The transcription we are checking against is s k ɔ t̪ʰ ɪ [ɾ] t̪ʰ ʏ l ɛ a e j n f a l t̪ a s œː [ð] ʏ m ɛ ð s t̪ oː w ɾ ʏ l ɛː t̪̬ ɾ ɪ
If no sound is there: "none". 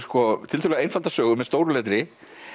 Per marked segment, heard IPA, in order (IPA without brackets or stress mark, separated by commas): l, ɣ